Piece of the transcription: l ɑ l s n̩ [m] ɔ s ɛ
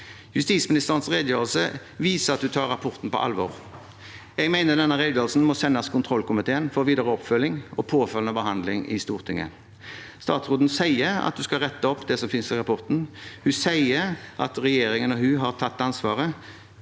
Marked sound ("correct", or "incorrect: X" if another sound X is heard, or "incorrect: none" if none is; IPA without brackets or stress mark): correct